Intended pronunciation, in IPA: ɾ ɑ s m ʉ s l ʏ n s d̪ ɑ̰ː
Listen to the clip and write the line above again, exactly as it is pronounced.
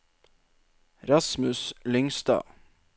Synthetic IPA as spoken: ɾ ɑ s m ʉ s l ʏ ŋ s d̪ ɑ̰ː